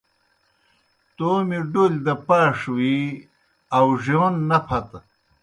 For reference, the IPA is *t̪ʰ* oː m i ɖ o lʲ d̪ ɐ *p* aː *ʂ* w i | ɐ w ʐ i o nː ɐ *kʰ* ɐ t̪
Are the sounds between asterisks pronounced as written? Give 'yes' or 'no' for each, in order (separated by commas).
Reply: no, yes, yes, no